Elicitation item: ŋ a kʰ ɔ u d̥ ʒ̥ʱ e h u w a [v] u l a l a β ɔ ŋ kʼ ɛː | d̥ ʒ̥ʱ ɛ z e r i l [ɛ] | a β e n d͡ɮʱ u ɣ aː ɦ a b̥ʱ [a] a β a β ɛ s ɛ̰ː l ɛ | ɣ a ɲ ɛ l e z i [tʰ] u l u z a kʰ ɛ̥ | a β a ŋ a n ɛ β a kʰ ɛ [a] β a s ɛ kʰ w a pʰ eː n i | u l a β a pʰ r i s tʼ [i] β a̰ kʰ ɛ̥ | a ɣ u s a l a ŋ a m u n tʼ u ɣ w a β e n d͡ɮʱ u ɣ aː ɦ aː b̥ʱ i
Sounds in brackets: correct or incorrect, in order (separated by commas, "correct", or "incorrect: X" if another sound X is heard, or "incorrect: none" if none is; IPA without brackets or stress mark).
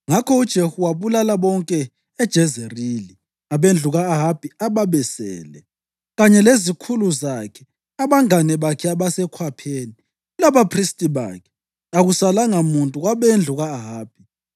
incorrect: β, incorrect: i, incorrect: i, incorrect: kʰ, correct, correct